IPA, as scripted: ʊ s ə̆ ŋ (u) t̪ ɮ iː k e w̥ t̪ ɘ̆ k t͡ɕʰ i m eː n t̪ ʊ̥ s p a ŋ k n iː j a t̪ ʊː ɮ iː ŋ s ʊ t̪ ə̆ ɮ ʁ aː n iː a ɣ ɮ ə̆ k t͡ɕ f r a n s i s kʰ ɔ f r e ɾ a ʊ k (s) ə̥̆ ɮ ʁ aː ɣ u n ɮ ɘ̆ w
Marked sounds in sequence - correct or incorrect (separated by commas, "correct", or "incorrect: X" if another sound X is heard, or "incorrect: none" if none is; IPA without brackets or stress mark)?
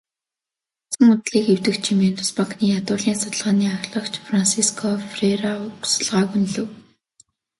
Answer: incorrect: ʊ, correct